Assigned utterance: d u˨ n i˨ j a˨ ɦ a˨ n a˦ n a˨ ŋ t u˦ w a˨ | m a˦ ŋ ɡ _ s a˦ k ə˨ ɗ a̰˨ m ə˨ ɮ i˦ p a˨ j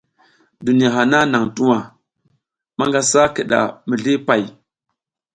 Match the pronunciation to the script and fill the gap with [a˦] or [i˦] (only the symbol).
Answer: a˦